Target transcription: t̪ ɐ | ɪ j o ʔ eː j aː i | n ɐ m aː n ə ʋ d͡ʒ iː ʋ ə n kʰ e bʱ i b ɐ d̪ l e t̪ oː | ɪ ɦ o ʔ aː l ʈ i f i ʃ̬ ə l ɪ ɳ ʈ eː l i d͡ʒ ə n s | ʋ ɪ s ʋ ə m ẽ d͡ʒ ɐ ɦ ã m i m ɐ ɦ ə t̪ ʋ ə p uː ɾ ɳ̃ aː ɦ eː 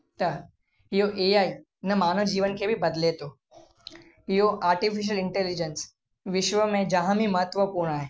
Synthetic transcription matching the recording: t̪ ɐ | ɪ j o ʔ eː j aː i | n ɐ m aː n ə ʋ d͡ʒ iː ʋ ə n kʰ e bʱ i b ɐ d̪ l e t̪ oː | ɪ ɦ o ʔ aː ɾ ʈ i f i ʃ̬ ə l ɪ ɳ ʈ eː l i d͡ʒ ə n s | ʋ ɪ ʃ ʋ ə m ẽ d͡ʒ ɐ ɦ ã m i m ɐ ɦ ə t̪ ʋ ə p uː ɾ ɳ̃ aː ɦ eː